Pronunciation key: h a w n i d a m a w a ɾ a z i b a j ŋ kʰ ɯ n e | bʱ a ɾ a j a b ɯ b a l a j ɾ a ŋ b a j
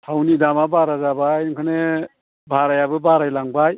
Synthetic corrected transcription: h a w n i d a m a b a ɾ a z a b a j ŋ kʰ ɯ n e | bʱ a ɾ a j a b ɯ b a ɾ a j l a ŋ b a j